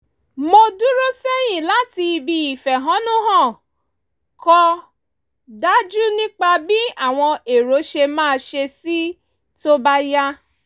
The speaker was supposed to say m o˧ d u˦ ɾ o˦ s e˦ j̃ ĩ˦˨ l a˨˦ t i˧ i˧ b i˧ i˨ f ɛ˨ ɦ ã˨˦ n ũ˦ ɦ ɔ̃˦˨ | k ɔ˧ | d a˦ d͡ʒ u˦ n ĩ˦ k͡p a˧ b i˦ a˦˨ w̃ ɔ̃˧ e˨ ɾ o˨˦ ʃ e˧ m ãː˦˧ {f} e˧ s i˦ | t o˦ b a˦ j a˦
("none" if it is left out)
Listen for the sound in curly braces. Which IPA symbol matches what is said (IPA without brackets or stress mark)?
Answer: ʃ